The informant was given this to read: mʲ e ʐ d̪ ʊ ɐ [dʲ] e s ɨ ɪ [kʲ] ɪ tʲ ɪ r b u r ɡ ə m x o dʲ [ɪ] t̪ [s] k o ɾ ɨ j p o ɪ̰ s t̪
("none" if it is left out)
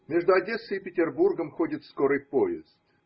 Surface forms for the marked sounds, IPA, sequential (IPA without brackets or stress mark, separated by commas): dʲ, pʲ, ɪ, s